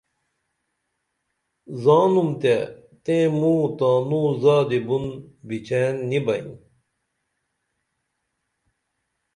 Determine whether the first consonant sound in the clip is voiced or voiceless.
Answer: voiced